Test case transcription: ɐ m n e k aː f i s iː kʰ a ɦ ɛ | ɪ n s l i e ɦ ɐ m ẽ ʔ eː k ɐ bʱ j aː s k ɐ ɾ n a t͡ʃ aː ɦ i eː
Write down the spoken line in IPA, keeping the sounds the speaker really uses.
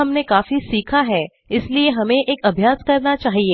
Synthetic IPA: ɐ m n e k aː f i s iː kʰ a ɦ ɛ | ɪ s l i e ɦ ɐ m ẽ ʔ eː k ɐ bʱ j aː s k ɐ ɾ n a t͡ʃ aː ɦ i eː